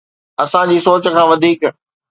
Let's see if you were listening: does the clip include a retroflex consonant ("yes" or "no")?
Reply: no